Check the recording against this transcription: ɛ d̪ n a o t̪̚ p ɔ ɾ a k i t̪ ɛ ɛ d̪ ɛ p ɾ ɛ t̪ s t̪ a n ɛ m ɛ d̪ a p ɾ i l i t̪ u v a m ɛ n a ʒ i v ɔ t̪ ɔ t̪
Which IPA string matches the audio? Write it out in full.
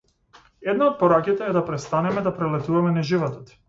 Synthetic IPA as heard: ɛ d̪ n a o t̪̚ p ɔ ɾ a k i t̪ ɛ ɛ d̪ a p ɾ ɛ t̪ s t̪ a n ɛ m ɛ d̪ a p ɾ ɛ l ɛ t̪ u v a m ɛ n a ʒ i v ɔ t̪ ɔ t̪

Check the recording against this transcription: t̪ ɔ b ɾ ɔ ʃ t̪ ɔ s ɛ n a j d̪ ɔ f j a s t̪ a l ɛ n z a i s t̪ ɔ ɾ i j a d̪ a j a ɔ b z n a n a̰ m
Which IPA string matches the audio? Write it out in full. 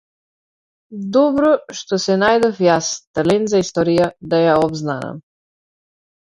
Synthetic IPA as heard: d̪ ɔ b ɾ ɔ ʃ t̪ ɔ s ɛ n a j d̪ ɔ f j a s t̪ a l ɛ n z a i s t̪ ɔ ɾ i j a d̪ a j a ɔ b z n a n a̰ m

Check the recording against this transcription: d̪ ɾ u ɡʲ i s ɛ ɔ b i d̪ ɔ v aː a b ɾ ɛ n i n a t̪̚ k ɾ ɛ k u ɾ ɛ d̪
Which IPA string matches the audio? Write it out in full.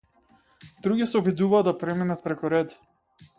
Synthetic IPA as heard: d̪ ɾ u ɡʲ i s ɛ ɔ b i d̪ u v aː a p ɾ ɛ m i n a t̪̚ p ɾ ɛ k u ɾ ɛ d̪

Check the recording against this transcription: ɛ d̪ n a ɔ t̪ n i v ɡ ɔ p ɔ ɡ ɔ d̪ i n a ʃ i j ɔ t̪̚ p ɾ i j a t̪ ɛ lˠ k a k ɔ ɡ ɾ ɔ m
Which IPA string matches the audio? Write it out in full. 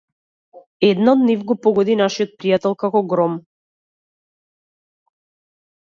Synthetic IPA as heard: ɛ d̪ n a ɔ d̪ n i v ɡ ɔ p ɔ ɡ ɔ d̪ i n a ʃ i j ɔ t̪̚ p ɾ i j a t̪ ɛ lˠ k a k ɔ ɡ ɾ ɔ m

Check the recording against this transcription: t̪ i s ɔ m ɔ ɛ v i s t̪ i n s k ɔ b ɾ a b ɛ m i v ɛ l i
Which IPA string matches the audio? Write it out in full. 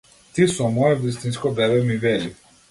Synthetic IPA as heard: t̪ i s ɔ m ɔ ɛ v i s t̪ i n s k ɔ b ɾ ɛ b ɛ m i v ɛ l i

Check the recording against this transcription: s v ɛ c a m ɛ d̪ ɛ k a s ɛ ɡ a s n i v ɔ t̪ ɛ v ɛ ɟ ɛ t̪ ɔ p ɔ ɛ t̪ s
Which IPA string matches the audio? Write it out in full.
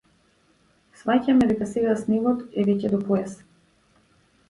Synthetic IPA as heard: s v a c a m ɛ d̪ ɛ k a s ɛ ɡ a s n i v ɔ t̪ ɛ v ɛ c ɛ d̪ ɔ p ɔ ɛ s

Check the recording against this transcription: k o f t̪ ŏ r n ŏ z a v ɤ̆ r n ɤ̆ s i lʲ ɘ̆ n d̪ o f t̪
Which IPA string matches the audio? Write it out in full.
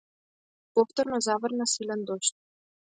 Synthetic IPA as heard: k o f t̪ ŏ r n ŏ z ɑ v ɤ̆ r n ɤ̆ s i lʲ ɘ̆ n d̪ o ɕ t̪

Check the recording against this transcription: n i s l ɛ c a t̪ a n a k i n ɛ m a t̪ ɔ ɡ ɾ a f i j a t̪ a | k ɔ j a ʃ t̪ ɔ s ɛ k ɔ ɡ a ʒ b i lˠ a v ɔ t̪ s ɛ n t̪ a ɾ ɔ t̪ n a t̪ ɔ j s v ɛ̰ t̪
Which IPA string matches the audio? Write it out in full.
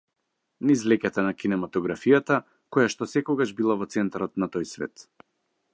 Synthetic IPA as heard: n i z l ɛ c a t̪ a n a k i n ɛ m a t̪ ɔ ɡ ɾ a f i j a t̪ a | k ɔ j a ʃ t̪ ɔ s ɛ k ɔ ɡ a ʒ b i lˠ a v ɔ t̪ s ɛ n t̪ a ɾ ɔ t̪ n a t̪ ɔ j s v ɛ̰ t̪

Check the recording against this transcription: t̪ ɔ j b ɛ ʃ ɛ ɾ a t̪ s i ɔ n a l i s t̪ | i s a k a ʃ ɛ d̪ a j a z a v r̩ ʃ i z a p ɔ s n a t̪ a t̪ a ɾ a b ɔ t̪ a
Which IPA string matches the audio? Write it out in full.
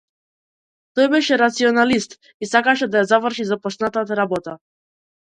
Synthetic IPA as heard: t̪ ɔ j b ɛ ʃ ɛ ɾ a t̪ s i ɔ n a l i s t̪ | i s a k a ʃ ɛ d̪ a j a z a v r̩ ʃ i z a p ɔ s n a t̪ a t̪ a ɾ a b ɔ t̪ a

